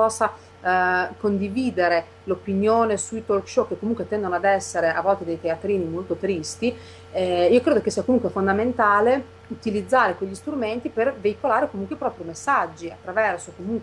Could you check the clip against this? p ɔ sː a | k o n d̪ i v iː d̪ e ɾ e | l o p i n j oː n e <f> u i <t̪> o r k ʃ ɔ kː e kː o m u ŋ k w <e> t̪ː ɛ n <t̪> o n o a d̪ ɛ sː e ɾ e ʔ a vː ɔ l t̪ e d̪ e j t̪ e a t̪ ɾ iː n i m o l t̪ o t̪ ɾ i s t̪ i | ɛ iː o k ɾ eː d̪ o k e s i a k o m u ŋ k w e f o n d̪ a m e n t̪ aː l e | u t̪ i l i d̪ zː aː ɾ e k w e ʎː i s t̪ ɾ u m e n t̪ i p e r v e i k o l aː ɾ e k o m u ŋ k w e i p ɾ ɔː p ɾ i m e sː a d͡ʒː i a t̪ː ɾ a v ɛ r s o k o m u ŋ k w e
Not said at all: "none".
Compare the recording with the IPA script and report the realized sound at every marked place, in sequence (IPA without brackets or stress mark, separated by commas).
s, t̪, e, d̪